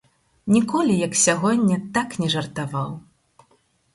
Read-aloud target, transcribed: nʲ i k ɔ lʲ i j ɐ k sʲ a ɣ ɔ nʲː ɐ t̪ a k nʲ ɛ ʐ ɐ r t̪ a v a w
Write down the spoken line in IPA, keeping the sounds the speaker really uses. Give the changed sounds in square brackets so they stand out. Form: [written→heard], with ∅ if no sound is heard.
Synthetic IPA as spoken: nʲ i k ɔ lʲ i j ɐ k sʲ a ɣ ɔ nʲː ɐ t̪ a k nʲ ɛ ʐ ɐ r t̪ a v a w